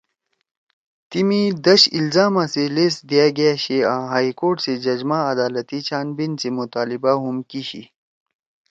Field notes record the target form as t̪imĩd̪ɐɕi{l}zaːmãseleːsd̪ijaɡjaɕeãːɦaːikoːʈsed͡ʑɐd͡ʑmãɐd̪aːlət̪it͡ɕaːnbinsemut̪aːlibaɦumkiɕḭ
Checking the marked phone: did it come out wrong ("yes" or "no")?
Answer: no